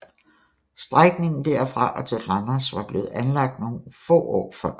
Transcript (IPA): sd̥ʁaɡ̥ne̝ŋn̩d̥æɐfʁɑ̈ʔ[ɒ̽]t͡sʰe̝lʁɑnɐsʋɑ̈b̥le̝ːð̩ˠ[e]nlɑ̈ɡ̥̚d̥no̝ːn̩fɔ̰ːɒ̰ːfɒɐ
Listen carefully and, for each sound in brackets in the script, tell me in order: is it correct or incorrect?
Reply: correct, incorrect

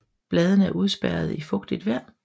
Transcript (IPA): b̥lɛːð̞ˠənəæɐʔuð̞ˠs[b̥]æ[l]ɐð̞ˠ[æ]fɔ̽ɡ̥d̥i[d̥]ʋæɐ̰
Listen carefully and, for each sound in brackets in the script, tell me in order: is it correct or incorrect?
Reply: correct, incorrect, incorrect, correct

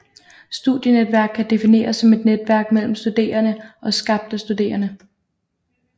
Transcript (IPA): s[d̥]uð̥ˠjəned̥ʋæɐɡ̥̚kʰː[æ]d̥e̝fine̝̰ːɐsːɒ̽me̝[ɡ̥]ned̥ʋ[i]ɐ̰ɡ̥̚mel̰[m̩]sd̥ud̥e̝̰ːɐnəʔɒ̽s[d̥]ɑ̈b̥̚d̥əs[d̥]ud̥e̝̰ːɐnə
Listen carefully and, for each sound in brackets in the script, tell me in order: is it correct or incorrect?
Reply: correct, correct, incorrect, incorrect, correct, incorrect, correct

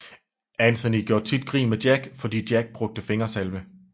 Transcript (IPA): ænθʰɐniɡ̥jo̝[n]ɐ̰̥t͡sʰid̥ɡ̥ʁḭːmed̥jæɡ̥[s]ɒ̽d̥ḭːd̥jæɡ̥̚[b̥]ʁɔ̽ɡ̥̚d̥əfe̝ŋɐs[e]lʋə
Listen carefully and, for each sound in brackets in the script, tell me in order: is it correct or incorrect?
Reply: incorrect, incorrect, correct, incorrect

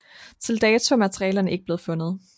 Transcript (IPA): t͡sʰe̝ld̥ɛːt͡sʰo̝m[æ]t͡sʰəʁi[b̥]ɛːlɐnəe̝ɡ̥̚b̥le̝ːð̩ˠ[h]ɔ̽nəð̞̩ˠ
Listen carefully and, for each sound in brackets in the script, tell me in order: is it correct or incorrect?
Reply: correct, incorrect, incorrect

